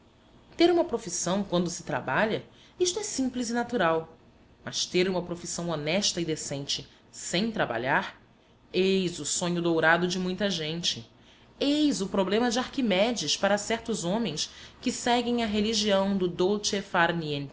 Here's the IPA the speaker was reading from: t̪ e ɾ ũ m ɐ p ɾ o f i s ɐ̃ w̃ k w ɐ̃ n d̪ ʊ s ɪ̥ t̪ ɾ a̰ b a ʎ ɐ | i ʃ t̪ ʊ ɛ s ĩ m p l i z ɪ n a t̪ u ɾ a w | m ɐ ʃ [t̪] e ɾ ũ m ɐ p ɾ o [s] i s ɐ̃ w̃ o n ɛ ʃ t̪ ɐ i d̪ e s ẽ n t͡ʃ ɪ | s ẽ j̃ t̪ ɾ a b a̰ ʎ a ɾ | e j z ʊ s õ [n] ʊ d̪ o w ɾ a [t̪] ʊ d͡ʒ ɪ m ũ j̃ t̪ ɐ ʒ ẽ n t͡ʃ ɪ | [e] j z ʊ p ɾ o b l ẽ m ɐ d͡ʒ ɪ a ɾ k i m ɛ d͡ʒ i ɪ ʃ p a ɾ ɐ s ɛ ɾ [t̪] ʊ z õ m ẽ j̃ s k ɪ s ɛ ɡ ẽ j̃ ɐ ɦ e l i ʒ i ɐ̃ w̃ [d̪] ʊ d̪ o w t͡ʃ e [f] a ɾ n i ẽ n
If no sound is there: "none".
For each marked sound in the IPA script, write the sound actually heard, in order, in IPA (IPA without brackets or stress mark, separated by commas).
t̪, f, ɲ, d̪, e, t̪, d̪, f